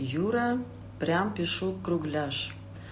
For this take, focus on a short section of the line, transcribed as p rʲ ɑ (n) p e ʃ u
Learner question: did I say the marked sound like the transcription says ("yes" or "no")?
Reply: no